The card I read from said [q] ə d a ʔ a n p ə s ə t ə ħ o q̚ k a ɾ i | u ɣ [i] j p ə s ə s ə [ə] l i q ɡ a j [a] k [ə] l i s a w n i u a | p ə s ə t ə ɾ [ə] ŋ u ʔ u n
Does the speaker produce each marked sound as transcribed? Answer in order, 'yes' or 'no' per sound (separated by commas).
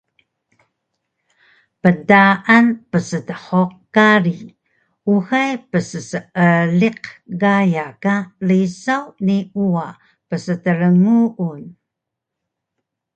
no, no, yes, yes, no, yes